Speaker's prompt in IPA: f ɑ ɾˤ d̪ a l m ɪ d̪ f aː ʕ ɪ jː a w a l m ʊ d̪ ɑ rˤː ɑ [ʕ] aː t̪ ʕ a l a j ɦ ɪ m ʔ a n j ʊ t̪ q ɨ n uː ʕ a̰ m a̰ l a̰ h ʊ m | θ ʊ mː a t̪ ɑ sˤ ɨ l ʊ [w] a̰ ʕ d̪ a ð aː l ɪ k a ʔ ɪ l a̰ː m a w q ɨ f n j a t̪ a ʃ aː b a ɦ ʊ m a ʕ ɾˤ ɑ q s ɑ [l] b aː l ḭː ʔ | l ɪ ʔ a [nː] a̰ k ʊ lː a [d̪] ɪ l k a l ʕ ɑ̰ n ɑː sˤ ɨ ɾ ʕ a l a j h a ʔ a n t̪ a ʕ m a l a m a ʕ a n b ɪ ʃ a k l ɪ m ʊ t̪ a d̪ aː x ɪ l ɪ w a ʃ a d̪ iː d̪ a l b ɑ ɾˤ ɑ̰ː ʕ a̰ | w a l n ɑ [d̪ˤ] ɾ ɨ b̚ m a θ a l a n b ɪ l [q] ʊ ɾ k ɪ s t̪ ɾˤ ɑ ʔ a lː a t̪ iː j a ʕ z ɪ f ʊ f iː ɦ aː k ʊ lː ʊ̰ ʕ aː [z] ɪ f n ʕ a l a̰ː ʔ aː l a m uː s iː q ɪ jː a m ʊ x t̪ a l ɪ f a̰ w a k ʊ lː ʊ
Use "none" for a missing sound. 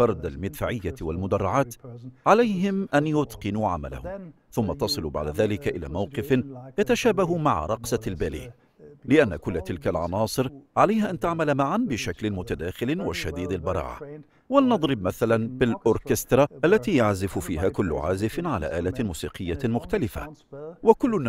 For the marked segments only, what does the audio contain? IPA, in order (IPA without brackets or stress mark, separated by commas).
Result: ʕ, b, l, nː, t̪, d̪ˤ, ʔ, z